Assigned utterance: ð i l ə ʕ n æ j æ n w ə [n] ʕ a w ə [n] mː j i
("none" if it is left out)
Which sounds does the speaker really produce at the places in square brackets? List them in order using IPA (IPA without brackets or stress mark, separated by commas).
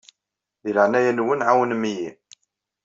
n, n